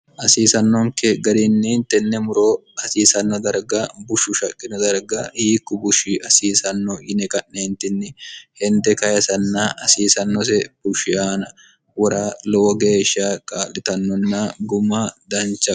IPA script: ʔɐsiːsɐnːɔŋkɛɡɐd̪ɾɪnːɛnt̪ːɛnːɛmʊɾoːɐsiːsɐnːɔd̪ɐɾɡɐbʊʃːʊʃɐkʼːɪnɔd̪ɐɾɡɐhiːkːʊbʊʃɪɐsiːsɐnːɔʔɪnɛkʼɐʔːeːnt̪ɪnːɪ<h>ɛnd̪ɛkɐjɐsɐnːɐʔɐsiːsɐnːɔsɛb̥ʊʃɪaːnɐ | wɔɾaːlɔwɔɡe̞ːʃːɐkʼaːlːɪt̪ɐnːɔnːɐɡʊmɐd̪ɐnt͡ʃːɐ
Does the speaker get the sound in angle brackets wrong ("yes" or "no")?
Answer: no